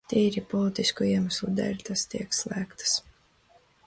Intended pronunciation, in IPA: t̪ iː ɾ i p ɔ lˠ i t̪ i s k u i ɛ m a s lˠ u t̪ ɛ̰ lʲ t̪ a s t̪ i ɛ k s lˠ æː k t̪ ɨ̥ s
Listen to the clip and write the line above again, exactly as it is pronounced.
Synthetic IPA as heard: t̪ iː ɾ i p ɔ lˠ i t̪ i s k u i ɛ m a s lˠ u d̪ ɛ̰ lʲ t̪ a s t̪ i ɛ k s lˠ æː k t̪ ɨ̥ s